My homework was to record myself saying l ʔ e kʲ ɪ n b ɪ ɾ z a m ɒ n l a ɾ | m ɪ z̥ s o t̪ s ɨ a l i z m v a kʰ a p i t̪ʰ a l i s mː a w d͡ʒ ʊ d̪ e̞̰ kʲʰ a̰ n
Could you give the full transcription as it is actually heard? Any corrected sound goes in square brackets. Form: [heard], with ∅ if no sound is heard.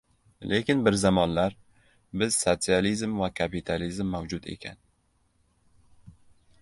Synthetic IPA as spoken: l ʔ e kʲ ɪ n b ɪ ɾ z a m ɒ n l a ɾ | [b] ɪ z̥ s o t̪ s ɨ a l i z m v a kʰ a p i t̪ʰ a l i [z] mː a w d͡ʒ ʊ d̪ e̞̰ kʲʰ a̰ n

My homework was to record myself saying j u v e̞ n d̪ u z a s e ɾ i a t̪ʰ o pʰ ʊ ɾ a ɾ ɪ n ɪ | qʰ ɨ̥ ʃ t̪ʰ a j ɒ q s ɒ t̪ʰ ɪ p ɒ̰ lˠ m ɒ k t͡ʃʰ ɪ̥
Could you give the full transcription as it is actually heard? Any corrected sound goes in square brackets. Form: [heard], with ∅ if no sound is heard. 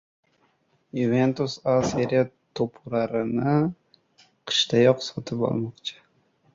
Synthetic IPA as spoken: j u v e̞ n [t̪] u [s] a s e ɾ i a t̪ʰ o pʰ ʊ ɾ a ɾ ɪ n ɪ | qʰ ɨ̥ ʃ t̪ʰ a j ɒ q s ɒ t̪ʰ ɪ p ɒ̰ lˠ m ɒ [q] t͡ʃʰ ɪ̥

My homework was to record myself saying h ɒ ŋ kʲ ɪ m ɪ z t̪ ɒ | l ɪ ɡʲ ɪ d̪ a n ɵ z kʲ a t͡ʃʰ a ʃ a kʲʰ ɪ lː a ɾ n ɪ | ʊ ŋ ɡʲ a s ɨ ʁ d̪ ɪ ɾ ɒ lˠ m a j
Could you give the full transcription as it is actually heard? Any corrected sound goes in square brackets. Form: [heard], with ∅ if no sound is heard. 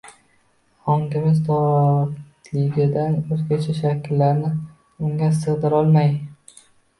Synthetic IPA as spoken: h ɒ ŋ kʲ ɪ m ɪ z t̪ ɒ | l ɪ ɡʲ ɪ d̪ a n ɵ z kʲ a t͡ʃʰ a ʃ a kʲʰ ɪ lː a ɾ n ɪ | ʊ ŋ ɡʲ a s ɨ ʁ d̪ ɪ ɾ ɒ lˠ m a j

